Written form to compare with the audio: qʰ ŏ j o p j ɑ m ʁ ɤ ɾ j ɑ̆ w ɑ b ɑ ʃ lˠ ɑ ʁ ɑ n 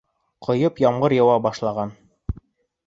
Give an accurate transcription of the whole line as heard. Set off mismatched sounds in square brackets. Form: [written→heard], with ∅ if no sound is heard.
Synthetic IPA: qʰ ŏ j [o→ɤ] p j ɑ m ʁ ɤ ɾ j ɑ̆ w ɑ b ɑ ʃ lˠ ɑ ʁ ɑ n